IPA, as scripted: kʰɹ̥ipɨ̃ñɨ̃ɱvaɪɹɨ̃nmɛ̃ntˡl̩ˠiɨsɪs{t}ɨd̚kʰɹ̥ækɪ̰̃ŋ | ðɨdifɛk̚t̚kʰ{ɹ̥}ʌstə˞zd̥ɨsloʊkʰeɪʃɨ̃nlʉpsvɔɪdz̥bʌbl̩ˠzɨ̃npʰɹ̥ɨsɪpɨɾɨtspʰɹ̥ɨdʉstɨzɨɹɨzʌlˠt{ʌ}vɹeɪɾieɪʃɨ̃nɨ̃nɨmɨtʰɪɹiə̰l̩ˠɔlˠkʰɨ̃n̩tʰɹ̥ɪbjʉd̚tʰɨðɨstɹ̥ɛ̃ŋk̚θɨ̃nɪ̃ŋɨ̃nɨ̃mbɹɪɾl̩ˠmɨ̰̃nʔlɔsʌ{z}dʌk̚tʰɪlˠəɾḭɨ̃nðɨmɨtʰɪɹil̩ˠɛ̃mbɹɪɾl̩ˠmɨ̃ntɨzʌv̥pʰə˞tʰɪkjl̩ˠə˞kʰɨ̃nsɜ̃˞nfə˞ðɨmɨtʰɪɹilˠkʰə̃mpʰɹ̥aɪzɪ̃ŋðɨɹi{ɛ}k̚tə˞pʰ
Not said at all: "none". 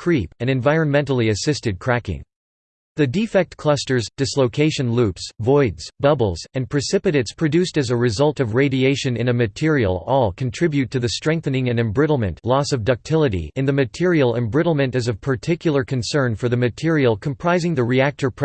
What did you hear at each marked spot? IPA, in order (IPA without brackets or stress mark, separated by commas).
t, l̥, ʌ, v, æ